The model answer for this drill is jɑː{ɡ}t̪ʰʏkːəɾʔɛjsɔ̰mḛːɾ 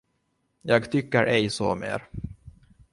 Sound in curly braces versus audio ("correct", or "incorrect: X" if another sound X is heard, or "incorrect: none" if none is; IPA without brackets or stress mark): correct